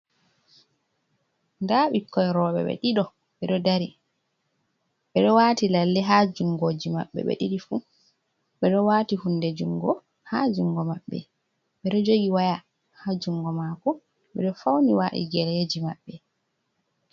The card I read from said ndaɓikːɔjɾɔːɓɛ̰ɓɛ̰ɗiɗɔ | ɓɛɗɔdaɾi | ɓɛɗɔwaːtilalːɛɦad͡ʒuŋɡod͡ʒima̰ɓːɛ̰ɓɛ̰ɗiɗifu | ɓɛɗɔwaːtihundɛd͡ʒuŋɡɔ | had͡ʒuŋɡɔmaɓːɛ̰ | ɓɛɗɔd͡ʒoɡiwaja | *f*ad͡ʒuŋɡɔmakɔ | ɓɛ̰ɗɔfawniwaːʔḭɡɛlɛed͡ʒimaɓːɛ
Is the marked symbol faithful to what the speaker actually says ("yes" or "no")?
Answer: no